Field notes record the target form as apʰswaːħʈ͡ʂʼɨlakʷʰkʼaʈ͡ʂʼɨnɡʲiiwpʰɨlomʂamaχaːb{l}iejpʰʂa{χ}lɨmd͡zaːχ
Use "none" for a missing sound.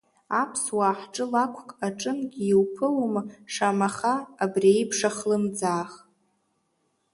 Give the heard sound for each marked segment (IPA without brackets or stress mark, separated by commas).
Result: r, χ